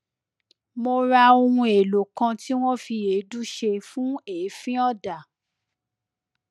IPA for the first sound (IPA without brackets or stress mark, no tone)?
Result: m